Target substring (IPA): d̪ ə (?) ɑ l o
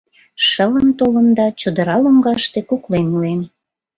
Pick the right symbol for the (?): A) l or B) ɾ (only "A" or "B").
B